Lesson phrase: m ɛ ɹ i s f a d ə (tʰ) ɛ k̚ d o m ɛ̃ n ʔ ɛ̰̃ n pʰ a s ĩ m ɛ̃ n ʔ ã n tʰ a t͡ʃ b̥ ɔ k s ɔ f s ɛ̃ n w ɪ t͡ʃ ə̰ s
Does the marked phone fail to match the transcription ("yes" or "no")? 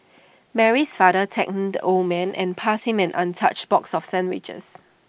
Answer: no